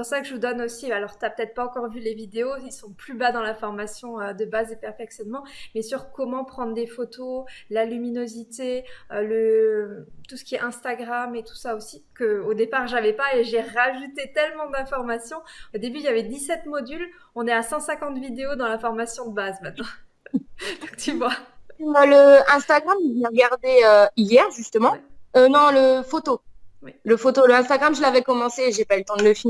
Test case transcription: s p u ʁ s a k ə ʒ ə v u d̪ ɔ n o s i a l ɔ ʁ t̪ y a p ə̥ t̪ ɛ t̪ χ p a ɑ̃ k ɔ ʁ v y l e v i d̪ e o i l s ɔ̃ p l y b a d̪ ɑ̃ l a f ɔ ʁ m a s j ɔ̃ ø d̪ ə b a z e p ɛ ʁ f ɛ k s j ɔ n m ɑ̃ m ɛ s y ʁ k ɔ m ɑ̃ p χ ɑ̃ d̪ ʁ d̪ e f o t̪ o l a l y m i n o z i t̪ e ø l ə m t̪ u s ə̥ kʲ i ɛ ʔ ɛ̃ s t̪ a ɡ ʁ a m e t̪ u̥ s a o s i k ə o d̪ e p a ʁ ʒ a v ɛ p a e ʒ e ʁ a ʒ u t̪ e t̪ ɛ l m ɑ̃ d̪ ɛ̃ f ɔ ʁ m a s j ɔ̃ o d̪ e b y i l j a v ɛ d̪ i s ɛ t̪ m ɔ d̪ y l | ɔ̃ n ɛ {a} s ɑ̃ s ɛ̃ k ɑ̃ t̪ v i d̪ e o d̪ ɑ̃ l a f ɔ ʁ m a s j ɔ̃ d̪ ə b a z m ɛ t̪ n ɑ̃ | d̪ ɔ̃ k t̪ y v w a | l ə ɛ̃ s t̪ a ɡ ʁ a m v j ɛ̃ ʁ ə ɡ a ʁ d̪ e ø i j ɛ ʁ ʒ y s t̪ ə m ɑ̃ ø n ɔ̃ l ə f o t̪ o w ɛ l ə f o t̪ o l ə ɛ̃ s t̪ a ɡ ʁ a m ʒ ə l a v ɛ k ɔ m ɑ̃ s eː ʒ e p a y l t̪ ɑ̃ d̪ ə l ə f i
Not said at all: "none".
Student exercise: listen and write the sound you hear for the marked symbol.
a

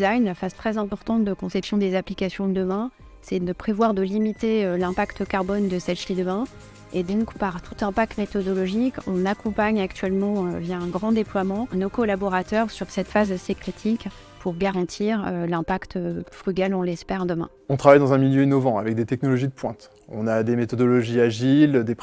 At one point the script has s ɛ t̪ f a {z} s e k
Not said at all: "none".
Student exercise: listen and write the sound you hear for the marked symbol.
z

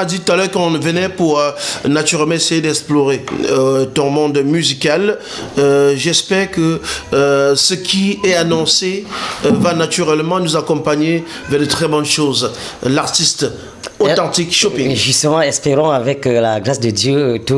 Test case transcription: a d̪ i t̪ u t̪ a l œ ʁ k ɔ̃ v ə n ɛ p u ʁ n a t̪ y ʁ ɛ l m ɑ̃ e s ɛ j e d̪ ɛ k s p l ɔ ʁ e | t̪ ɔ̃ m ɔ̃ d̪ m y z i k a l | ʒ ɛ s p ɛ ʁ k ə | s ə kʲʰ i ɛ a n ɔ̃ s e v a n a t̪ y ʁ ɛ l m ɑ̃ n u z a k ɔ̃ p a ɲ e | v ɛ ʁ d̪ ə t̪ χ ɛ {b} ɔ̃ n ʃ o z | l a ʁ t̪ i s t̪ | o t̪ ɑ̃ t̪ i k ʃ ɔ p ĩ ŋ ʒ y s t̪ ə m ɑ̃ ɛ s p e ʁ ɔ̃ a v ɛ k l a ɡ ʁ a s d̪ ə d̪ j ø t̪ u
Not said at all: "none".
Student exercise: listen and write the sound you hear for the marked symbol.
b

